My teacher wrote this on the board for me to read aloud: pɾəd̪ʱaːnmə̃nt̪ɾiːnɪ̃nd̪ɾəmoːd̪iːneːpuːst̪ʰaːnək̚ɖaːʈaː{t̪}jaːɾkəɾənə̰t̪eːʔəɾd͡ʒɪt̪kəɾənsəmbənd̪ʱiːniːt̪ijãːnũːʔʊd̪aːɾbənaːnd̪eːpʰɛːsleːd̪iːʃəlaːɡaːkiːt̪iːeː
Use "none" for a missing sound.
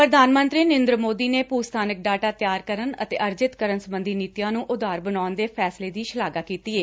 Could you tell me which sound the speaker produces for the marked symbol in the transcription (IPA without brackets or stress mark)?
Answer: t̪